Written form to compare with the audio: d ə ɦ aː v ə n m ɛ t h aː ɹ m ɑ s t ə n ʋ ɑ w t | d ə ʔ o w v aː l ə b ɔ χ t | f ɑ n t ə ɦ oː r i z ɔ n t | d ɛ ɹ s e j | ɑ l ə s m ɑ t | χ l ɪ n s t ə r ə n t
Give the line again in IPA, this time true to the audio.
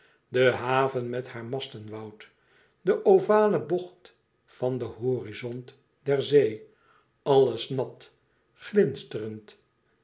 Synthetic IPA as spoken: d ə ɦ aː v ə n m ɛ t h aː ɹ m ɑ s t ə n ʋ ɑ w t | d ə ʔ o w v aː l ə b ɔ χ t | f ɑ n d ə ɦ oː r i z ɔ n t | d ɛ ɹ z e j | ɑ l ə s n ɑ t | χ l ɪ n s t ə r ə n t